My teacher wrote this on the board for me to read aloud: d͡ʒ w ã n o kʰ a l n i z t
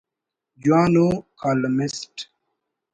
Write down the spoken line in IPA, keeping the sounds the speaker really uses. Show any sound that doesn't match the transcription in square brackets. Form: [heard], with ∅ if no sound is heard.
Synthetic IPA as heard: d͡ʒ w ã n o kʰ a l [m] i [s] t

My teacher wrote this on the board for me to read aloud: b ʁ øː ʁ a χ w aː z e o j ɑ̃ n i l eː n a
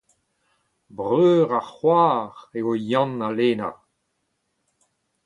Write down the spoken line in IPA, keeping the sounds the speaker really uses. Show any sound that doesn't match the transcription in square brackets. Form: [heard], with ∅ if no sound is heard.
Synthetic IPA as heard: b ʁ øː ʁ a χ w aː [ʁ] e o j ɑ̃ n [a] l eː n a

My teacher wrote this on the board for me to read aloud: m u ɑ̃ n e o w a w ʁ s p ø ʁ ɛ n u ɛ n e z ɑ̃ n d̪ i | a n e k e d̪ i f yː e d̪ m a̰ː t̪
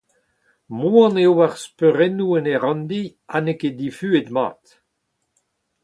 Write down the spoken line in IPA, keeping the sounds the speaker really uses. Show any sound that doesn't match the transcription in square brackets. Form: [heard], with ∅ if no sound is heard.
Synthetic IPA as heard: m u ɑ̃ n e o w a [∅] ʁ s p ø ʁ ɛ n u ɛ n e [ʁ] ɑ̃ n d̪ i | a n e k e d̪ i f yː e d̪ m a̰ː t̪

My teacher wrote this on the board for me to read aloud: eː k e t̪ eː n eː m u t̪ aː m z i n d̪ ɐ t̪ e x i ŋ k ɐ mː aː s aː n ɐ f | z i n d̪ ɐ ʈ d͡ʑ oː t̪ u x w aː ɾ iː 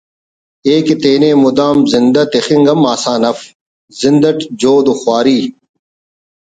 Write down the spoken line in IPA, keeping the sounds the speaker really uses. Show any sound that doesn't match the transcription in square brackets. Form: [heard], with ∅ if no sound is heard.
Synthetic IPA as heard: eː k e t̪ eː n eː m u [d̪] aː m z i n d̪ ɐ t̪ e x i ŋ [ɡ] ɐ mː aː s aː n ɐ f | z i n d̪ ɐ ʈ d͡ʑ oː [d̪] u x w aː ɾ iː

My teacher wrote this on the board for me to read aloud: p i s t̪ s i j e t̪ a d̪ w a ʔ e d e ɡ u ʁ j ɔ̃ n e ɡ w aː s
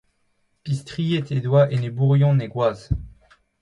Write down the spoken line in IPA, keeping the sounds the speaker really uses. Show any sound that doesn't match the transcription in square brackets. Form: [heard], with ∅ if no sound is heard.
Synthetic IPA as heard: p i s t̪ [χ] i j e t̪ [e] d̪ w a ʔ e [n] e [b] u ʁ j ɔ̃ n e ɡ w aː [z]

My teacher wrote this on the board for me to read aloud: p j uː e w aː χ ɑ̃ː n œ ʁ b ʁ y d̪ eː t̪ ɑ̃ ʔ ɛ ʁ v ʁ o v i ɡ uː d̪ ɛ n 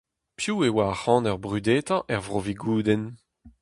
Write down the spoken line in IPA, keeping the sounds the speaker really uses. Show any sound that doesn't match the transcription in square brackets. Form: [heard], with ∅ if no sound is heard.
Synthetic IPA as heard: p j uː e w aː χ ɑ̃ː n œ ʁ b ʁ y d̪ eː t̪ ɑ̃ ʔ ɛ ʁ v ʁ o v i ɡ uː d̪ ɛ n

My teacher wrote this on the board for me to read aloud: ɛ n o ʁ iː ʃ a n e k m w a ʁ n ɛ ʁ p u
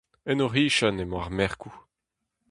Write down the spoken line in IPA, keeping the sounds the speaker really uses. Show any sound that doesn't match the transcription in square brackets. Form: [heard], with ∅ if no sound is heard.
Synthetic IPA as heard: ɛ n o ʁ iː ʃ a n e [∅] m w a ʁ [m] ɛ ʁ [k] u

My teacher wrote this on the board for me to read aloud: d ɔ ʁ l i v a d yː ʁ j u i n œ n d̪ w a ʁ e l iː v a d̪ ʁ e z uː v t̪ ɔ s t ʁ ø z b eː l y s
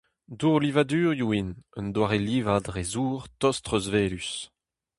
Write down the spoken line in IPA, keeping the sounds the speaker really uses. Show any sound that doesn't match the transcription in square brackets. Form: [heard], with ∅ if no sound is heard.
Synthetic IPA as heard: d [u] ʁ l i v a d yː ʁ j u i n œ n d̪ w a ʁ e l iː v a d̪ ʁ e z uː [ʁ] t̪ ɔ s t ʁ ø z [v] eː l y s

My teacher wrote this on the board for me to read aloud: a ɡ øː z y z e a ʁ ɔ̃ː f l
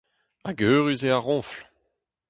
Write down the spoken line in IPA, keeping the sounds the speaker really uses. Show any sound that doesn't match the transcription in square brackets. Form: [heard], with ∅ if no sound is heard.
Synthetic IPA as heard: a ɡ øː [ʁ] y z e a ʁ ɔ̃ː f l

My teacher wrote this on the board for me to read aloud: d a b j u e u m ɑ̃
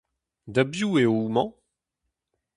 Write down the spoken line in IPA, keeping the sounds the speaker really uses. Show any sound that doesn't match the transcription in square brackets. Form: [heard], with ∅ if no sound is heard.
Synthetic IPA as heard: d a b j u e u m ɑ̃

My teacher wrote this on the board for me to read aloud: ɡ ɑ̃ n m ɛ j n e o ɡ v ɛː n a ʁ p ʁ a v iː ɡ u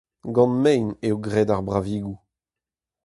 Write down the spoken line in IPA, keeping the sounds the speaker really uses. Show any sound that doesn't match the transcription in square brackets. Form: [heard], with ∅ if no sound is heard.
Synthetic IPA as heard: ɡ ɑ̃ n m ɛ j n e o ɡ [ʁ] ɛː [d] a ʁ [b] ʁ a v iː ɡ u

